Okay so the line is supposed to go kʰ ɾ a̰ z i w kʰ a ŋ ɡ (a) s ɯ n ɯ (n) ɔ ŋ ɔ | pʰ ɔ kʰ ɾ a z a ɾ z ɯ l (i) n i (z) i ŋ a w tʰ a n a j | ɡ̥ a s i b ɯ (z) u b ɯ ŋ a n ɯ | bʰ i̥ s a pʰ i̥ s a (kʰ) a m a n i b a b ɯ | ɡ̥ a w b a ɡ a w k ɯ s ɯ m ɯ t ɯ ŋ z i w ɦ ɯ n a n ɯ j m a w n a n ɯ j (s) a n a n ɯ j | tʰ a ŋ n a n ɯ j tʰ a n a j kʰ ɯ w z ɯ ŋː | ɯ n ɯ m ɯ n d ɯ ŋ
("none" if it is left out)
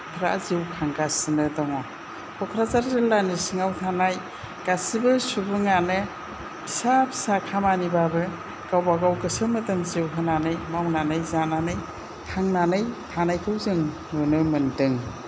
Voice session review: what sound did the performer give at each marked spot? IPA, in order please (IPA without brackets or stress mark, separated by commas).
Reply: a, d, a, s, s, kʰ, z